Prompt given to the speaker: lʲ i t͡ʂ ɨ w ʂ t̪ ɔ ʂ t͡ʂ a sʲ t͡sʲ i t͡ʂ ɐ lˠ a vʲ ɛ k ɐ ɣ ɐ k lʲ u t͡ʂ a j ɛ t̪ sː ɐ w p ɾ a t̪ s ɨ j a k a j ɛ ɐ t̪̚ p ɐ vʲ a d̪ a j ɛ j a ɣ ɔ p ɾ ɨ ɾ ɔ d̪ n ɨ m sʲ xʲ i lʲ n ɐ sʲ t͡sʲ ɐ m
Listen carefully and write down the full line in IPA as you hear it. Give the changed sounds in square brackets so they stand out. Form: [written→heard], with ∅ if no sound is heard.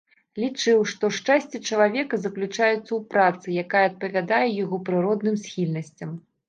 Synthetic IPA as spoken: lʲ i t͡ʂ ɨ w ʂ t̪ ɔ ʂ t͡ʂ a sʲ t͡sʲ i t͡ʂ ɐ lˠ a vʲ ɛ k ɐ [ɣ→z] ɐ k lʲ u t͡ʂ a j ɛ t̪ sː ɐ w p ɾ a t̪ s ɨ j a k a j ɛ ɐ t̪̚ p ɐ vʲ a d̪ a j ɛ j a ɣ ɔ p ɾ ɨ ɾ ɔ d̪ n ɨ m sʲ xʲ i lʲ n ɐ sʲ t͡sʲ ɐ m